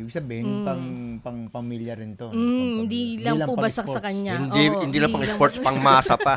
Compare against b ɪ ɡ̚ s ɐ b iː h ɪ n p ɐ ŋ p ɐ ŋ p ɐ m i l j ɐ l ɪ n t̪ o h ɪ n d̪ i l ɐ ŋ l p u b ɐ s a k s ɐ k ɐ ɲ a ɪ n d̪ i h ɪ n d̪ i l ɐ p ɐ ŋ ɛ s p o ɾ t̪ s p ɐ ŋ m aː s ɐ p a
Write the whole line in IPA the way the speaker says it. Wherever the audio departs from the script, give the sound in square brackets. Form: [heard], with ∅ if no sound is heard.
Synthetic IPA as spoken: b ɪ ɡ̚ s ɐ b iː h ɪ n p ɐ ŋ p ɐ ŋ p ɐ m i l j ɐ [ɾ] ɪ n t̪ o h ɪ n d̪ i l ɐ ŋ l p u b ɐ s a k s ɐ k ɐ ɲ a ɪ n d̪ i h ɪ n d̪ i l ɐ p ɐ ŋ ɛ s p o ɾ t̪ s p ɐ ŋ m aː s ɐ p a